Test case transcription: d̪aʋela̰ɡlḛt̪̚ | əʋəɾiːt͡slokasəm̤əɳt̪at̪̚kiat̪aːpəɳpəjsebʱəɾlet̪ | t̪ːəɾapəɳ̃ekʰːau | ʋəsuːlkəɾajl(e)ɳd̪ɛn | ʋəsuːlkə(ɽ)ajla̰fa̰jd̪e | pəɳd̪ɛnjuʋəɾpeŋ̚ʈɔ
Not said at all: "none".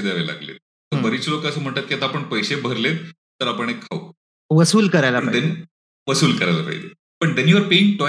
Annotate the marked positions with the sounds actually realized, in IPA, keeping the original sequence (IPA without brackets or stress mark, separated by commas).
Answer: a, ɾ